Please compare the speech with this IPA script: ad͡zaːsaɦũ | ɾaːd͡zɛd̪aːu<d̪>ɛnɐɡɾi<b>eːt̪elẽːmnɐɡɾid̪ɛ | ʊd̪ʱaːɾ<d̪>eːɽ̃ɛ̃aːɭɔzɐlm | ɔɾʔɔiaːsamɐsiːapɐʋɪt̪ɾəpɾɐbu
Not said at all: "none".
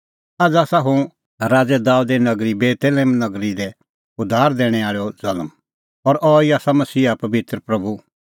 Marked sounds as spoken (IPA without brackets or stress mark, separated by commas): d̪, b, d̪